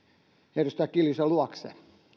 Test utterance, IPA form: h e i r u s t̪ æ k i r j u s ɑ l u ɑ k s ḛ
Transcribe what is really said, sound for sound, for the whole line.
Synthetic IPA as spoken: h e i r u s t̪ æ k i l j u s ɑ l u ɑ k s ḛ